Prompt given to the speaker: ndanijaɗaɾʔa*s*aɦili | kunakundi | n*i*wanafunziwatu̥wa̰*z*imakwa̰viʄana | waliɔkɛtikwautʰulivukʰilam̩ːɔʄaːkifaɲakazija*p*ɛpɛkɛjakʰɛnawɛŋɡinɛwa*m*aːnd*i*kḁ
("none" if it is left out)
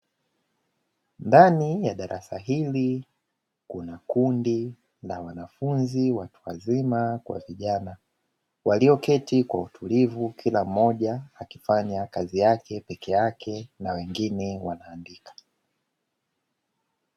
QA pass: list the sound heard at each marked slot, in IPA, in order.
s, a, z, k, n, i

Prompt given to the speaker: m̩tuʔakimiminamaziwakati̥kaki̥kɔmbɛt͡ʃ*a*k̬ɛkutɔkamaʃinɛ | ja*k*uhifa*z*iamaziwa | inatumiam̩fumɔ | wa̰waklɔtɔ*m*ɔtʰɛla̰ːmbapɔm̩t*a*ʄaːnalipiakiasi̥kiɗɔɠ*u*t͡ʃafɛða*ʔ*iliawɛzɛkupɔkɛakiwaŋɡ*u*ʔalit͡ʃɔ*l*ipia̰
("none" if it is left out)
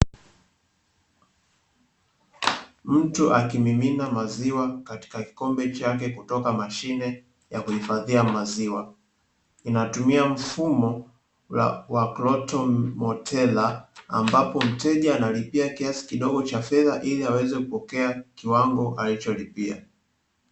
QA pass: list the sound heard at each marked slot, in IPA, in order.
a, k, ð, m, ɛ, ɔ, ʔ, ɔ, l

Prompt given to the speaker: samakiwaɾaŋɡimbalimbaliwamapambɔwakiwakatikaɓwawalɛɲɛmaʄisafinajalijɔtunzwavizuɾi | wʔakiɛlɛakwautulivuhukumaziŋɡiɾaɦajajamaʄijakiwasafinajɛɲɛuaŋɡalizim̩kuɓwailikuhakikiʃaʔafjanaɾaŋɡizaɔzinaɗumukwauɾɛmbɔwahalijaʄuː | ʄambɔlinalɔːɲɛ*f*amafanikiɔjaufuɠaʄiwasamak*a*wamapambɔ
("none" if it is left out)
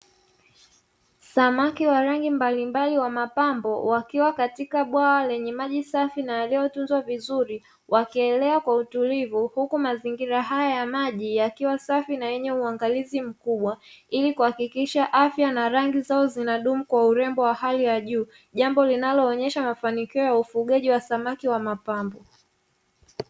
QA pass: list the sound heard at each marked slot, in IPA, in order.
ʃ, i

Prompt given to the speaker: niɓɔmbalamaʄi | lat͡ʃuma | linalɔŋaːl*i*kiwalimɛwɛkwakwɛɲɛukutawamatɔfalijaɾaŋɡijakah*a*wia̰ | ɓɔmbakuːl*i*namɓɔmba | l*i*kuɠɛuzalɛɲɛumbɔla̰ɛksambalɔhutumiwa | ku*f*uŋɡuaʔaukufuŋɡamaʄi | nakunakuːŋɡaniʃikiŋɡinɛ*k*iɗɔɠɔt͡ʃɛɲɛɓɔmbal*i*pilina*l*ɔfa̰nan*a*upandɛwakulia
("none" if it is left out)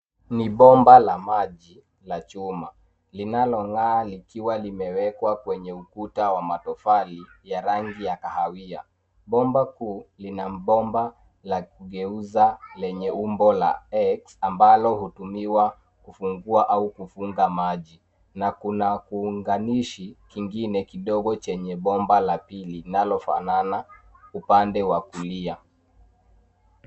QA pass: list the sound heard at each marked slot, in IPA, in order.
i, a, i, a, f, k, a, l, a

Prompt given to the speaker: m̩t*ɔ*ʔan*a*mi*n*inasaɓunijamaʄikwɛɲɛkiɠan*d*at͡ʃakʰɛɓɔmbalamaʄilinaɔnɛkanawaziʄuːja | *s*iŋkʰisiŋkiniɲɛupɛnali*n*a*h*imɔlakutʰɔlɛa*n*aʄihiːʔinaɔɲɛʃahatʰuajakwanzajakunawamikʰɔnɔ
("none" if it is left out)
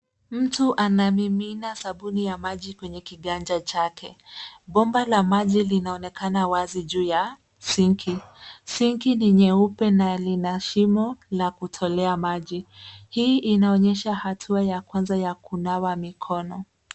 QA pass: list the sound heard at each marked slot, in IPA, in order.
u, a, m, d͡ʒ, s, n, ʃ, m

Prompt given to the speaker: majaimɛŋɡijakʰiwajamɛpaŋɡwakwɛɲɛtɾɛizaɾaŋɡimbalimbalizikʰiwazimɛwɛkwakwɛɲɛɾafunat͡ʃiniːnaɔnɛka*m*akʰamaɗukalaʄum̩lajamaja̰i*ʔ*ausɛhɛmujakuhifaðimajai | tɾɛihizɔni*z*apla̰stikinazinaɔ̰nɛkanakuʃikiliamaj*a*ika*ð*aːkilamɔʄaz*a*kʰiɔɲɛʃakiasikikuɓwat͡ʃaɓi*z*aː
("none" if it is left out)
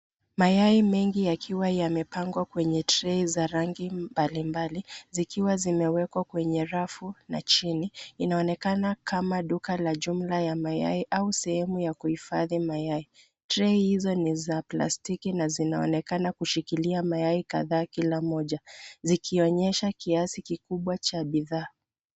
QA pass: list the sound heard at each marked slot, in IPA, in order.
n, ʔ, z, a, ð, i, ð

